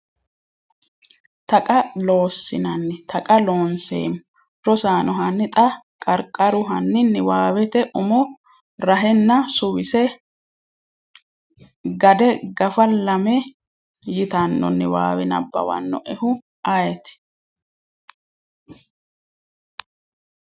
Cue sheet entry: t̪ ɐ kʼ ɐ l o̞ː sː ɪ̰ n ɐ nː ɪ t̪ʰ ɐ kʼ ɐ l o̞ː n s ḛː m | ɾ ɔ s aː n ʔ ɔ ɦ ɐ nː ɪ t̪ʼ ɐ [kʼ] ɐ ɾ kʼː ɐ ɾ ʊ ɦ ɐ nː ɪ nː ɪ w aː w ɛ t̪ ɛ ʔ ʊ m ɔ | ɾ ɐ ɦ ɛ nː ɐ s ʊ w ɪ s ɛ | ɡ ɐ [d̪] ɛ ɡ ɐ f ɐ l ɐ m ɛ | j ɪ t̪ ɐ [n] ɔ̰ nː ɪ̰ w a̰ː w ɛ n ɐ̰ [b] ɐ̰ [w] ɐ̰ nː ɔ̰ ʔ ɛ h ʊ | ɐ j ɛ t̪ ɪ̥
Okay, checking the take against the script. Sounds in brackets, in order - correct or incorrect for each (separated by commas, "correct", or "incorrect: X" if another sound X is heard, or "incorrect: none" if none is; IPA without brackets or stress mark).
correct, correct, incorrect: nː, incorrect: bː, correct